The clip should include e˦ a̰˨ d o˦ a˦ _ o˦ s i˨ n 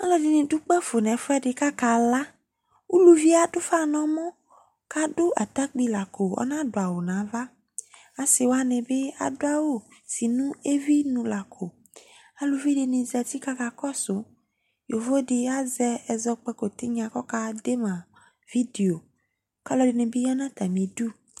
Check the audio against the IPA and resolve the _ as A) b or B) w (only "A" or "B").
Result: B